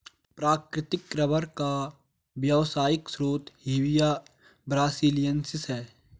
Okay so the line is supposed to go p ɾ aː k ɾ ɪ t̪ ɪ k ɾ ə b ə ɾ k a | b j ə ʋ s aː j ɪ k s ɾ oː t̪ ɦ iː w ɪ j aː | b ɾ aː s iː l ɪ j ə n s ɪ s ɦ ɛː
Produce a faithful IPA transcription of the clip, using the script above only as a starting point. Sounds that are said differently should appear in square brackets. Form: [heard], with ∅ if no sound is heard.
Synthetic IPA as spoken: p ɾ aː k ɾ ɪ t̪ ɪ k ɾ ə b ə ɾ k a | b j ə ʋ s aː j ɪ k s ɾ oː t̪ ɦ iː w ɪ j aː | b ɾ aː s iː l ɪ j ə n s ɪ s ɦ ɛː